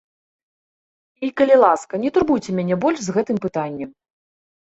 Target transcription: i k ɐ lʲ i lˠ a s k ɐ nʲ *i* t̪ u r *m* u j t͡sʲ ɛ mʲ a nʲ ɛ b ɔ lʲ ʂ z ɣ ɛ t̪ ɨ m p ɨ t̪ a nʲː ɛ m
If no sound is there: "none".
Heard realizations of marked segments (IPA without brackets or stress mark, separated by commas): ɛ, b